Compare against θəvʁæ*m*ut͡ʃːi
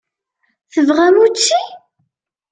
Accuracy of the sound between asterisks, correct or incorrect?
correct